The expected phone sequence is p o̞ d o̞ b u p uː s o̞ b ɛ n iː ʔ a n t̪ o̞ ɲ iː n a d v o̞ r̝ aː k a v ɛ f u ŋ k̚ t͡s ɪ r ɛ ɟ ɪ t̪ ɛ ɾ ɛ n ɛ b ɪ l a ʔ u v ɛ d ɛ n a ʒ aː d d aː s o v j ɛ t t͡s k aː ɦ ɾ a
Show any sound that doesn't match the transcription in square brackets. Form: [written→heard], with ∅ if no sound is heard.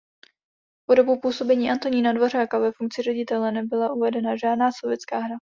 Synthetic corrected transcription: p o̞ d o̞ b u p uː s o̞ b ɛ [n→ɲ] iː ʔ a n t̪ o̞ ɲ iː n a d v o̞ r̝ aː k a v ɛ f u ŋ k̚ t͡s ɪ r ɛ ɟ ɪ t̪ ɛ [ɾ→l] ɛ n ɛ b ɪ l a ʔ u v ɛ d ɛ n a ʒ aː d [d→n] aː s o v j ɛ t t͡s k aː ɦ ɾ a